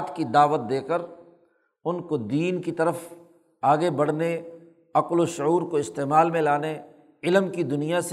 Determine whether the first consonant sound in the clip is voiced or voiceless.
voiceless